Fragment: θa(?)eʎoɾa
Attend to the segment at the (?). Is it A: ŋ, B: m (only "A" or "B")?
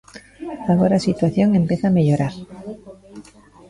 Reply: B